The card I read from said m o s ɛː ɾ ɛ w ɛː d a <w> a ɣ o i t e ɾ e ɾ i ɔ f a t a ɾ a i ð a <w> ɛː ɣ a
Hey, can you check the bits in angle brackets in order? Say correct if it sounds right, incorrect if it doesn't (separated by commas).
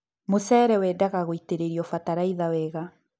incorrect, correct